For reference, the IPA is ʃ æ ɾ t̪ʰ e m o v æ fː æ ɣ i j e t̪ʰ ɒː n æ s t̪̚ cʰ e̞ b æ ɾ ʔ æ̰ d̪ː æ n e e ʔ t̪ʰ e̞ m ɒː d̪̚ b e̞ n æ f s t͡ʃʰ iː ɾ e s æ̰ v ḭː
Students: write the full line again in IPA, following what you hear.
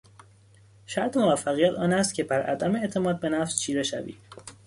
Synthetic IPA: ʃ æ ɾ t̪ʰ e m o v æ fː æ ɣ i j æ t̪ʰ ɒː n æ s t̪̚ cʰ e̞ b æ ɾ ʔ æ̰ d̪ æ m e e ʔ t̪ʰ e̞ m ɒː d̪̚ b e̞ n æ f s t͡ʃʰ iː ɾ e ʃ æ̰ v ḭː